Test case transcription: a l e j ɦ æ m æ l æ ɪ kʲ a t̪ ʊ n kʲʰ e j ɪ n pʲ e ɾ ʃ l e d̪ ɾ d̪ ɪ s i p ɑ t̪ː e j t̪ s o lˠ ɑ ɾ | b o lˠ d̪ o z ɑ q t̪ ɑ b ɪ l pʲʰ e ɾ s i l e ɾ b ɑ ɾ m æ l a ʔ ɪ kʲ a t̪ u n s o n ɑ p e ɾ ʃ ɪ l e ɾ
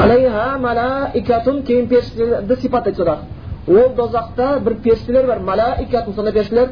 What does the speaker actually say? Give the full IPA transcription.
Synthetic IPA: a l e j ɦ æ m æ l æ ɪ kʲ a t̪ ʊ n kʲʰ e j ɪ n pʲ e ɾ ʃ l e ɾ d̪ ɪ s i p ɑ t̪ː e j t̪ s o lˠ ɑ ɾ | w o lˠ d̪ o z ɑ q t̪ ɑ b ɪ ɾ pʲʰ e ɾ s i l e ɾ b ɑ ɾ m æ l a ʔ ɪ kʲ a t̪ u n s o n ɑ p e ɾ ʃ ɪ l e ɾ